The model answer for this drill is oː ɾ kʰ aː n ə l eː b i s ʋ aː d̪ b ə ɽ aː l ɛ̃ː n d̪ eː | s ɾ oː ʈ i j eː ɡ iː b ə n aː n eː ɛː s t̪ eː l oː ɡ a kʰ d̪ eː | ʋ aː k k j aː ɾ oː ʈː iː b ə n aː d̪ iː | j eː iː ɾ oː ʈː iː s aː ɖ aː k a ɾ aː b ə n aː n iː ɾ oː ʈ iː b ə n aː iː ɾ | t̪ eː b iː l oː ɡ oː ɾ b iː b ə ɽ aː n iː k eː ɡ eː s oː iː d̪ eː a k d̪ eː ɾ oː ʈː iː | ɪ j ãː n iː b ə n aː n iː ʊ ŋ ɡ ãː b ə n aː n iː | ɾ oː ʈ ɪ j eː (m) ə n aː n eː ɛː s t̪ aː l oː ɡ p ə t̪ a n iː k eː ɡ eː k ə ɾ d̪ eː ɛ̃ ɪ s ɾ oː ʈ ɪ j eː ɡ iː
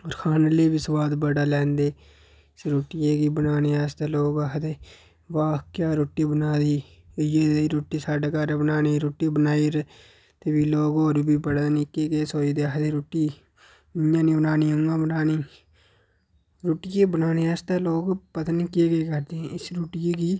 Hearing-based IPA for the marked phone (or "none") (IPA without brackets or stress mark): b